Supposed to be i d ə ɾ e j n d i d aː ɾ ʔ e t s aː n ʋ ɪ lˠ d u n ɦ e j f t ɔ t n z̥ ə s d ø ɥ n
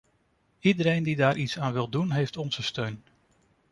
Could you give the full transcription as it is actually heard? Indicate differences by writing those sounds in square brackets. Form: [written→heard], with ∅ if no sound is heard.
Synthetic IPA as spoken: i d ə ɾ e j n d i d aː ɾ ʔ [e→i] t s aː n ʋ ɪ lˠ d u n ɦ e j f t ɔ [t→∅] n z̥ ə s [d→t] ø ɥ n